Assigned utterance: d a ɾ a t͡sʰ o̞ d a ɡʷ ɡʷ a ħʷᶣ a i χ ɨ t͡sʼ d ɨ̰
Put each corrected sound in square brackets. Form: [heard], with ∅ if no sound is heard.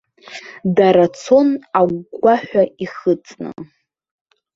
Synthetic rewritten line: d a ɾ a t͡sʰ o̞ [n] a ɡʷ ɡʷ a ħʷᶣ a i χ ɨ t͡sʼ [n] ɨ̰